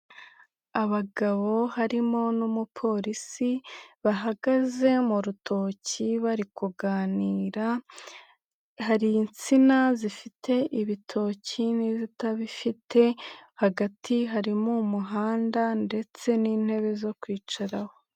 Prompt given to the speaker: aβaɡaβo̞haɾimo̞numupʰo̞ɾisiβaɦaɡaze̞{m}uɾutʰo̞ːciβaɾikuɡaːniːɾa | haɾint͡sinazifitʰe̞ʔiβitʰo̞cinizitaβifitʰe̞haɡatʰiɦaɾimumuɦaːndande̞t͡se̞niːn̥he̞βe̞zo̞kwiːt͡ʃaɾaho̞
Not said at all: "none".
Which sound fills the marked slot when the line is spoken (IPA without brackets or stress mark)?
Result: m